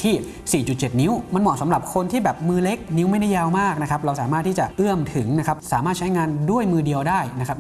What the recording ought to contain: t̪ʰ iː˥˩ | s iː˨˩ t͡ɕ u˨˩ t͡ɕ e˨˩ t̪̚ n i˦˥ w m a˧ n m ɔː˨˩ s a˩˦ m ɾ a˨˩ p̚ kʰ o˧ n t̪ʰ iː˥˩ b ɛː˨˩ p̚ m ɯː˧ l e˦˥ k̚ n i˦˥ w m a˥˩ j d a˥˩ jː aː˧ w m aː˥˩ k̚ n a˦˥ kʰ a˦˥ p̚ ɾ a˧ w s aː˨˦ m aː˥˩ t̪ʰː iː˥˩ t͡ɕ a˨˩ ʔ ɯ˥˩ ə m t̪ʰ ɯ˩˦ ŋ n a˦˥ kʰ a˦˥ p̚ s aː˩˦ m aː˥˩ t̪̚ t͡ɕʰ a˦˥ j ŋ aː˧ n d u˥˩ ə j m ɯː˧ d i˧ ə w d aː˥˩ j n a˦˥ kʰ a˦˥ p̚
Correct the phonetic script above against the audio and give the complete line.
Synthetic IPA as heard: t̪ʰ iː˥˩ | s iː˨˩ t͡ɕ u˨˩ t͡ɕ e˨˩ t̪̚ n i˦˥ w m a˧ n m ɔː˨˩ s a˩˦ m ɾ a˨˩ p̚ kʰ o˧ n t̪ʰ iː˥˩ b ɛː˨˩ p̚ m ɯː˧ l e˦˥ k̚ n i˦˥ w m a˥˩ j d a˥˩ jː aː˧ w m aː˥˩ k̚ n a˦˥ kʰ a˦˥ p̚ ɾ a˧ w s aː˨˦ m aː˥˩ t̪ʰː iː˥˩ t͡ɕ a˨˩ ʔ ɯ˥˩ ə m t̪ʰ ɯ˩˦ ŋ n a˦˥ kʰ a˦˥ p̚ s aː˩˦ m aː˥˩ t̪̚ t͡ɕʰ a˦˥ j ŋ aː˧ n d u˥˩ ə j m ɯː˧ d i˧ ə w d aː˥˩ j n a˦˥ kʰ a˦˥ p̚